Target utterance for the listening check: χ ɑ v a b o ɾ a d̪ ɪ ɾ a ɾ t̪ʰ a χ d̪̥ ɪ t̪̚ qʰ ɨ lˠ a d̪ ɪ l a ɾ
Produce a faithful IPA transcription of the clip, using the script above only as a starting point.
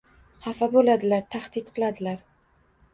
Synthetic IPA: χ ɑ f a b o l a d̪ ɪ l a ɾ t̪ʰ a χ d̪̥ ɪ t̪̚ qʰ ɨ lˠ a d̪ ɪ l a ɾ